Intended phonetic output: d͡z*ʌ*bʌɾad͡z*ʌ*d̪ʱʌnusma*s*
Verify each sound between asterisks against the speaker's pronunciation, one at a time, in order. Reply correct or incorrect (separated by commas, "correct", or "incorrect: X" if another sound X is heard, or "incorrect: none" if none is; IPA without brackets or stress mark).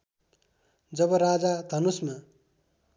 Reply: correct, incorrect: a, incorrect: none